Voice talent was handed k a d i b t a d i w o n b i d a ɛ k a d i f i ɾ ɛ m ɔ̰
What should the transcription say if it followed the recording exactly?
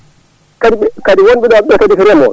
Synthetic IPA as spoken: k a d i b k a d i w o n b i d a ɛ k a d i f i ɾ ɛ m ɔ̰